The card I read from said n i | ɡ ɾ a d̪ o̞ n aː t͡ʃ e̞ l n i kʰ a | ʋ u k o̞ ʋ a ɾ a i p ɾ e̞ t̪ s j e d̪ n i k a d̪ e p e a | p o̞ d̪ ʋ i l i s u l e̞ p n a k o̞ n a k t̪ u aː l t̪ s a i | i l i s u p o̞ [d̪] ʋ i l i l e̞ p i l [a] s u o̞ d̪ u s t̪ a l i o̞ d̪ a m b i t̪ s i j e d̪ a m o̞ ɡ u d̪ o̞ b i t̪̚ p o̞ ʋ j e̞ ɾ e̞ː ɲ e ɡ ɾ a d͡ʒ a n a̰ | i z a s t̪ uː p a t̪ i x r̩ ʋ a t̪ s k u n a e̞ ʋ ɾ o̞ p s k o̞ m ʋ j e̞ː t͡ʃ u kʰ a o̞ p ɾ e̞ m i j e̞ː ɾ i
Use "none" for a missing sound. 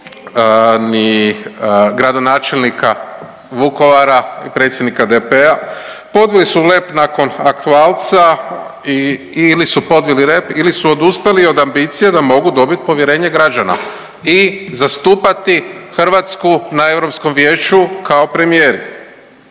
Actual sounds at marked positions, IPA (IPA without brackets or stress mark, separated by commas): d̪, i